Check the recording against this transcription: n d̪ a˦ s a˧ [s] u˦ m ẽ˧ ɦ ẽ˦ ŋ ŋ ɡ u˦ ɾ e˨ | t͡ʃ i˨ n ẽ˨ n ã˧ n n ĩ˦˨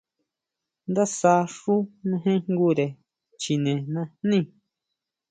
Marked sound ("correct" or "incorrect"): incorrect